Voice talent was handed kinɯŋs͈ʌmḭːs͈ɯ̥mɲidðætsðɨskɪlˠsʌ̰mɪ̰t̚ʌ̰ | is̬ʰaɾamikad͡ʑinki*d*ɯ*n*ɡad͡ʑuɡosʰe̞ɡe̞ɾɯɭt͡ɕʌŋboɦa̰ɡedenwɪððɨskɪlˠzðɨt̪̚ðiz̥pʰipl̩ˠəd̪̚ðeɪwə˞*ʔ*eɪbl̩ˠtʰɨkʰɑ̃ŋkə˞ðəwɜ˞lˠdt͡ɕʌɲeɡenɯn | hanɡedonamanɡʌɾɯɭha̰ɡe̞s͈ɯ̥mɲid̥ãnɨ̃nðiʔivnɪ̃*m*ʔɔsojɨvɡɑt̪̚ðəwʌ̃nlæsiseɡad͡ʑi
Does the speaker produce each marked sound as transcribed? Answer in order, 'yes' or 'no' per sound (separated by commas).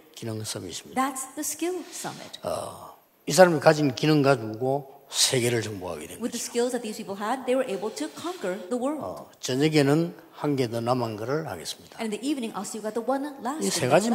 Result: no, no, yes, no